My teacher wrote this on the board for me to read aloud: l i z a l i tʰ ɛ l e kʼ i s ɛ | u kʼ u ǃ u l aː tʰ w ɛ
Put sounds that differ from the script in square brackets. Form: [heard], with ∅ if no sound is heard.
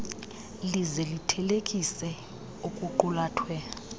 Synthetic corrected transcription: l i z [ɛ] l i tʰ ɛ l e kʼ i s ɛ | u kʼ u ǃ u l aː tʰ w ɛ

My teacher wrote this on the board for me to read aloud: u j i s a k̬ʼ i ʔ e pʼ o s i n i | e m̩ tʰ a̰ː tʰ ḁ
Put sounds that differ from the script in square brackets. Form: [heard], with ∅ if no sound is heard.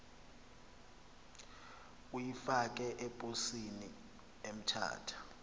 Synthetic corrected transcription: u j i [f] a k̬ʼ [ɛ] ʔ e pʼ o s i n i | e m̩ tʰ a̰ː tʰ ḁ

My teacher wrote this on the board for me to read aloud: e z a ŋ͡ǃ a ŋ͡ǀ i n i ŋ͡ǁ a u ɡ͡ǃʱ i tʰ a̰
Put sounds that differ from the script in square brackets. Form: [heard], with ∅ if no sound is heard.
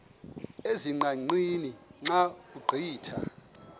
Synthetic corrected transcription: e z [i] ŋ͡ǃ a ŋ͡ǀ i n i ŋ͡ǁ a u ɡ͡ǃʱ [iː] tʰ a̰

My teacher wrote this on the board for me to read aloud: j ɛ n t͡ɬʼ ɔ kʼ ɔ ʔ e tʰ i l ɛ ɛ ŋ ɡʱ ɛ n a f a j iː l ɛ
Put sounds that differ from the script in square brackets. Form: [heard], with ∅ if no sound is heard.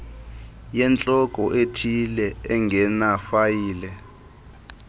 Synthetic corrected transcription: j ɛ n t͡ɬʼ ɔ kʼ ɔ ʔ e tʰ i l ɛ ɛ ŋ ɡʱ ɛ n a f a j iː l ɛ

